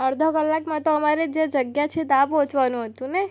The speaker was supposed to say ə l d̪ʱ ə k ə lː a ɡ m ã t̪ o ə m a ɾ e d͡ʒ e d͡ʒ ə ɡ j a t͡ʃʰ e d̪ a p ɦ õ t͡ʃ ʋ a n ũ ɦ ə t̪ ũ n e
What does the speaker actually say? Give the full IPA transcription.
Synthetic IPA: ə ɾ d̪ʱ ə k ə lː a k m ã t̪ o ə m a ɾ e d͡ʒ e d͡ʒ ə ɡ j a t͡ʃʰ e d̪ a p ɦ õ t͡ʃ ʋ a n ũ ɦ ə t̪ ũ n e